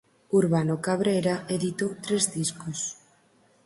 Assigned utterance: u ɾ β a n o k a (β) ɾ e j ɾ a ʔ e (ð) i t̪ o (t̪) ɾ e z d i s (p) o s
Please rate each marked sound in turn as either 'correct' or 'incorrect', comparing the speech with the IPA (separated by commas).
correct, correct, correct, incorrect